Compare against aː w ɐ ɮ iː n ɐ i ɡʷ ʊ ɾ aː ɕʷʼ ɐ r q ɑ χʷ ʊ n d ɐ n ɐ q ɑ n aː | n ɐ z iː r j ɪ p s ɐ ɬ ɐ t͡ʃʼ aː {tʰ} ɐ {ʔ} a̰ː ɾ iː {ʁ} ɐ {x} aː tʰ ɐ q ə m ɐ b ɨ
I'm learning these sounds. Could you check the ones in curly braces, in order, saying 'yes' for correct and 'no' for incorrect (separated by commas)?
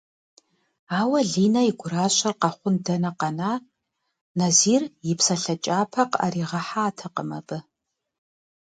no, no, yes, no